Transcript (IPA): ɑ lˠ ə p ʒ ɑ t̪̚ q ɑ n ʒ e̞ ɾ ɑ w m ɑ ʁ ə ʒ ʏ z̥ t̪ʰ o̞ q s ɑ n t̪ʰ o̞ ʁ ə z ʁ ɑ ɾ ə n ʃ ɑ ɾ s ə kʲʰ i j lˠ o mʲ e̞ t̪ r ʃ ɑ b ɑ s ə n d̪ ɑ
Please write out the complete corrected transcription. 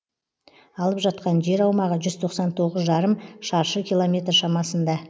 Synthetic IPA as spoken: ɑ lˠ ə p ʒ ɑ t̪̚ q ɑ n ʒ e̞ ɾ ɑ w m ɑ ʁ ə ʒ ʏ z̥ t̪ʰ o̞ q s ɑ n t̪ʰ o̞ ʁ ə z ʒ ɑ ɾ ə m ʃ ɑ ɾ ʃ ə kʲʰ i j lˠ o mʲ e̞ t̪ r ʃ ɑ m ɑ s ə n d̪ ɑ